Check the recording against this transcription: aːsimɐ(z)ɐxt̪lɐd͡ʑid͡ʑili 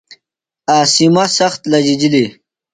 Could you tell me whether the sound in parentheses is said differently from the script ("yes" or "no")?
yes